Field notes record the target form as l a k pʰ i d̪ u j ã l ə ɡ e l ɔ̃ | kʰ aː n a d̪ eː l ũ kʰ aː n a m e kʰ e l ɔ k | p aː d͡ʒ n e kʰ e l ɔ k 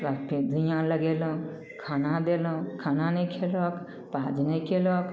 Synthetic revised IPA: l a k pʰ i d̪ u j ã l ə ɡ e l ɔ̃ | kʰ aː n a d̪ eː l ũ kʰ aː n a n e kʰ e l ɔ k | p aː d͡ʒ n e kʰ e l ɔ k